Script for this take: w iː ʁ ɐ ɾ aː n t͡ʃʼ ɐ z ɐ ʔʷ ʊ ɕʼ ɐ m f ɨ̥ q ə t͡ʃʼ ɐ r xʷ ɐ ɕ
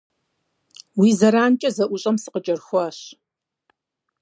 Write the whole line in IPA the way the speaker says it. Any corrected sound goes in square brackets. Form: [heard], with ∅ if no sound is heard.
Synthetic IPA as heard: w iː [z] ɐ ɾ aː n t͡ʃʼ ɐ z ɐ ʔʷ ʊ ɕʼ ɐ m [s] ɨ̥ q ə t͡ʃʼ ɐ r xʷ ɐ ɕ